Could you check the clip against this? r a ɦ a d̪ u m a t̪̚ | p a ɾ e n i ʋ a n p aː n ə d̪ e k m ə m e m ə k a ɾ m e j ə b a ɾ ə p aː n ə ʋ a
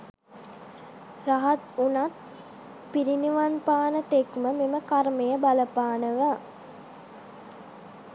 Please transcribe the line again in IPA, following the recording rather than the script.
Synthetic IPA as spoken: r a ɦ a t̪ u n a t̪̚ | p i ɾ i n i ʋ a n p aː n ə t̪ e k m ə m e m ə k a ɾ m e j ə b a l ə p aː n ə ʋ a